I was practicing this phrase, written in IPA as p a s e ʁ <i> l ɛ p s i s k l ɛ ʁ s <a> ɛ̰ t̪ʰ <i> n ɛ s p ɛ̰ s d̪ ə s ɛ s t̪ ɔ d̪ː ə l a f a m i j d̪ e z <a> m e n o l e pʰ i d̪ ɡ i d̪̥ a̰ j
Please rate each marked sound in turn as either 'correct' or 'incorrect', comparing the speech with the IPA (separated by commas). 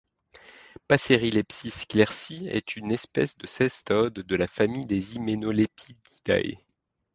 correct, incorrect, incorrect, incorrect